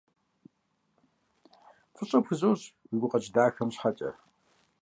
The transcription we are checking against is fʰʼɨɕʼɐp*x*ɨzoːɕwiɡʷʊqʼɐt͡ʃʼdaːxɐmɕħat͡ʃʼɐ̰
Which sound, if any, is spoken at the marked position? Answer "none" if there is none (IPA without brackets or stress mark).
x